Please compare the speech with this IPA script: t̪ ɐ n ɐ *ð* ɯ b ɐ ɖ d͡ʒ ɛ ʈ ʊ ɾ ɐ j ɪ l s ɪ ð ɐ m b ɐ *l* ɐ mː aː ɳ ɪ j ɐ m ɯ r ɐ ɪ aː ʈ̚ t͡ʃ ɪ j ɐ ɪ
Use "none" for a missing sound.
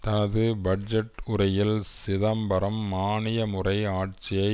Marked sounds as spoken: ð, ɾ

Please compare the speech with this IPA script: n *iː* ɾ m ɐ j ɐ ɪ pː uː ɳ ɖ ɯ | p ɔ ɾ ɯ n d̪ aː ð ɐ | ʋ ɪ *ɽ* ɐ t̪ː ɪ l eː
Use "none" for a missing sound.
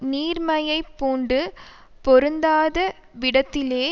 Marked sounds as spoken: iː, ɽ

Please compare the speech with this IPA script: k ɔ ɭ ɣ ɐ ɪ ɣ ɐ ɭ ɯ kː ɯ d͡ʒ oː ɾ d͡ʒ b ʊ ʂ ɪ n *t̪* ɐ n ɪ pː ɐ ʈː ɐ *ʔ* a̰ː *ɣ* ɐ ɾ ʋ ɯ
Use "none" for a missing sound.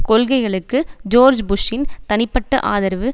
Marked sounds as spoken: t̪, ʔ, ð

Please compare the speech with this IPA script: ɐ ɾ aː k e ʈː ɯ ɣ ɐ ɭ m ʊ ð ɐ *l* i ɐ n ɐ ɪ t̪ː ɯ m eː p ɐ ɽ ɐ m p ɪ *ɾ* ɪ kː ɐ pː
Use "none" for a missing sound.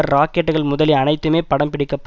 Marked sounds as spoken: l, ɽ

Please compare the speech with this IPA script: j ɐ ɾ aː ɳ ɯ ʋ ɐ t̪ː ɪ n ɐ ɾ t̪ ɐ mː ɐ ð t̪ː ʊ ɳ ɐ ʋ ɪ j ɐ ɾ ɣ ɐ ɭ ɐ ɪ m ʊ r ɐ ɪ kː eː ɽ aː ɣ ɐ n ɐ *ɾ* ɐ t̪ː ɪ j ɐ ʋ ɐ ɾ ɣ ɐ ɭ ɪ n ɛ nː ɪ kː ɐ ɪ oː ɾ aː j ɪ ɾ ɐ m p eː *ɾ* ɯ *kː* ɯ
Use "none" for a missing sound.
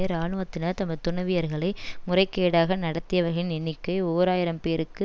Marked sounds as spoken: ɽ, ɾ, kː

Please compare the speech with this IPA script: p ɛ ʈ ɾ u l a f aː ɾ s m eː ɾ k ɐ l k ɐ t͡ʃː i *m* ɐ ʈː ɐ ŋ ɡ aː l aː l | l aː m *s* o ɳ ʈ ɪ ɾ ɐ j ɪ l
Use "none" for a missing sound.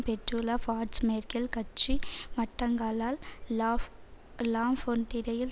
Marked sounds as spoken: m, f

